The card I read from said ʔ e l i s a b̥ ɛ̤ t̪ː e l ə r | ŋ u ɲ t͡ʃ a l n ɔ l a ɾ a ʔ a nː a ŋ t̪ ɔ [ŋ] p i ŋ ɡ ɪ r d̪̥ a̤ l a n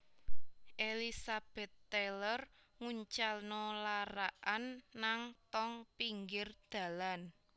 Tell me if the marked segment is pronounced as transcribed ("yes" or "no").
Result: yes